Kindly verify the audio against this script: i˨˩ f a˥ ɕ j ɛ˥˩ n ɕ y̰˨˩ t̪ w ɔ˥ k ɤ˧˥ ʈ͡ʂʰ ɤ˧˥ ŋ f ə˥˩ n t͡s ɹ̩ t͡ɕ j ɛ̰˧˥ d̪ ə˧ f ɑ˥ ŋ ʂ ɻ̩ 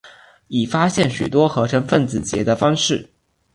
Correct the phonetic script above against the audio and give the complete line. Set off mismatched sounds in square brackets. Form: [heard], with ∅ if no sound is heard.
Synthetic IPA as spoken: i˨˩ f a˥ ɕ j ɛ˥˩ n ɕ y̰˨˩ t̪ w ɔ˥ [x] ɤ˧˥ ʈ͡ʂʰ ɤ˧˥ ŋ f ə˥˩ n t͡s ɹ̩ t͡ɕ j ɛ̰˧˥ d̪ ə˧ f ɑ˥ ŋ ʂ ɻ̩